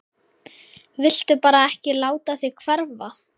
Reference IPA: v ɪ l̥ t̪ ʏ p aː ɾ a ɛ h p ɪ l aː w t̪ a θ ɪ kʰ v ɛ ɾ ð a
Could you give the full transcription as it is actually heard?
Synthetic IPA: v ɪ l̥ t̪ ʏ p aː ɾ a ɛ h c ɪ l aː w t̪ a θ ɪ kʰ v ɛ ɾ v a